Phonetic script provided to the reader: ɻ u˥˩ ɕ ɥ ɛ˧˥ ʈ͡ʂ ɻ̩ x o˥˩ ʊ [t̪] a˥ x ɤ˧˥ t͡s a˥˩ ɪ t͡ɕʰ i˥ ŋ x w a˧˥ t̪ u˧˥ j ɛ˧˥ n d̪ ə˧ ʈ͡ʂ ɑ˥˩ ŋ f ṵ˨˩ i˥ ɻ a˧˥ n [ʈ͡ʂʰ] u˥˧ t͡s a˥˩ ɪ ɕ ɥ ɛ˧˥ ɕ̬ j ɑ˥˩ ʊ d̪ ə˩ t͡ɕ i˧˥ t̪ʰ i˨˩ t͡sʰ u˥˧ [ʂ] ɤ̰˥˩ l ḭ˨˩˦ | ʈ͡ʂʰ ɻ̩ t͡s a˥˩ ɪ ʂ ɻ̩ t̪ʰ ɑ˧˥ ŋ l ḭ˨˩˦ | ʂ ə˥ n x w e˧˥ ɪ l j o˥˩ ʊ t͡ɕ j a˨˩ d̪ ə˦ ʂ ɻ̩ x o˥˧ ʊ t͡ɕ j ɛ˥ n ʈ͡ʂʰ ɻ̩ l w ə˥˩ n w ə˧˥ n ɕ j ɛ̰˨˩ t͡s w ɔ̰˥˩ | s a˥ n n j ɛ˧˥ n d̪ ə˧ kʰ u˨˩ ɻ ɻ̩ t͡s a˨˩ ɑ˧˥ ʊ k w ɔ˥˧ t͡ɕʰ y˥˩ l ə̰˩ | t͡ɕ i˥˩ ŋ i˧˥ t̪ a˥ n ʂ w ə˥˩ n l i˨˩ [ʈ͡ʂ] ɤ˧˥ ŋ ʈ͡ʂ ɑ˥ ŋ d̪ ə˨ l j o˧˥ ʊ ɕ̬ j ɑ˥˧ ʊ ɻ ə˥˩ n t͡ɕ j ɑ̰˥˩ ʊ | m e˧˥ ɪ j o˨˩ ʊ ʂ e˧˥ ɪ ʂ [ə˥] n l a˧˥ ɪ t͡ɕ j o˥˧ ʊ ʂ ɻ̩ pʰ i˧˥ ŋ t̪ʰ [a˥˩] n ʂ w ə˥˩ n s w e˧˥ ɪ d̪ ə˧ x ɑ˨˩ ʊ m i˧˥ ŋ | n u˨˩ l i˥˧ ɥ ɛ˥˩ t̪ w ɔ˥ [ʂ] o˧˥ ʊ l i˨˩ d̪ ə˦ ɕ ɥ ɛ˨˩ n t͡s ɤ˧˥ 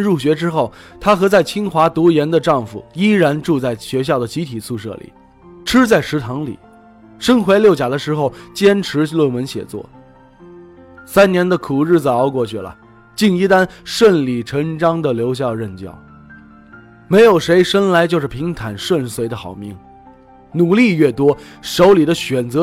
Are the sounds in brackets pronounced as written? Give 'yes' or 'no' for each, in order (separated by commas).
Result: no, no, yes, no, yes, no, yes